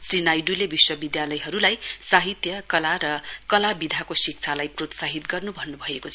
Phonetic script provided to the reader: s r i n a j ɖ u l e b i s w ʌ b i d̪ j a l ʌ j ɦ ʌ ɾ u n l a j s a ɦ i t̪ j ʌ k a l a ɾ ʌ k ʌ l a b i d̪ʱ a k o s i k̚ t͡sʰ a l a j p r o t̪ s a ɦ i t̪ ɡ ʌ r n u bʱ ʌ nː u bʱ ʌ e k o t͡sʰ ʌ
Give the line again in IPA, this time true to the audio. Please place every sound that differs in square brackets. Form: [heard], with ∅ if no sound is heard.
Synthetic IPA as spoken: s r i n a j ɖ u l e b i s w ʌ b i d̪ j a l ʌ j ɦ ʌ ɾ u [∅] l a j s a ɦ i t̪ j ʌ k [ʌ] l a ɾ ʌ k ʌ l a b i d̪ʱ a k o s i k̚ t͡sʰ a l a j p r o t̪ s a ɦ i t̪ ɡ ʌ r n u bʱ ʌ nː u bʱ ʌ e k o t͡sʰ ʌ